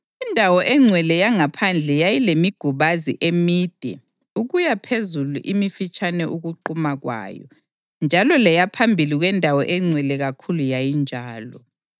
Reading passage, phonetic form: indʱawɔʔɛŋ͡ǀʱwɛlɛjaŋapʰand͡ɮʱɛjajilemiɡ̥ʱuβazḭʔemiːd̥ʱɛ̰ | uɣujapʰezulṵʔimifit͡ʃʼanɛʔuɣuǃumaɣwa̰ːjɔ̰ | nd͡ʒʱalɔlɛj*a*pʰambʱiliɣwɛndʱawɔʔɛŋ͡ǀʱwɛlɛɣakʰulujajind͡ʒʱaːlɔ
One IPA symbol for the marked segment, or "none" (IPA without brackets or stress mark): a